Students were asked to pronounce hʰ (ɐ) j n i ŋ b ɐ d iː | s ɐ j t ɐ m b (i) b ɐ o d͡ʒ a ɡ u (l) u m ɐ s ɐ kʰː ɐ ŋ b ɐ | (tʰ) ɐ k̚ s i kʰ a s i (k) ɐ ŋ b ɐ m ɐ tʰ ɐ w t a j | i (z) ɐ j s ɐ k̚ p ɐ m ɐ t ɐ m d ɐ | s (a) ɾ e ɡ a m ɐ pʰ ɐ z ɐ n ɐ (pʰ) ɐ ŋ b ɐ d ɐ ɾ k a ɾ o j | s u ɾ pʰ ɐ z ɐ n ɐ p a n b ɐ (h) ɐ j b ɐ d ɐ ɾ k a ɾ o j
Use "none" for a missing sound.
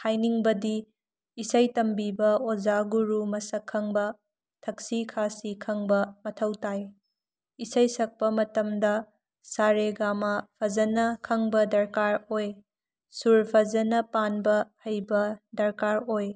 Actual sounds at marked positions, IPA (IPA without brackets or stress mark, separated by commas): a, i, ɾ, tʰ, kʰ, s, a, kʰ, h